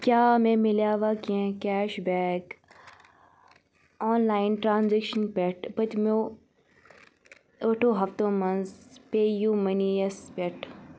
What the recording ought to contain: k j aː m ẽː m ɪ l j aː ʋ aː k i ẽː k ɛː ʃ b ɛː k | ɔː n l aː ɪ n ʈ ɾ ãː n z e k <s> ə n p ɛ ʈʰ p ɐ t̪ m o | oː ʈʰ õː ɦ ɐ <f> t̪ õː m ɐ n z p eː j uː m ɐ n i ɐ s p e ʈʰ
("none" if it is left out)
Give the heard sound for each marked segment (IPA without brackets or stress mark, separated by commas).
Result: ʃ, f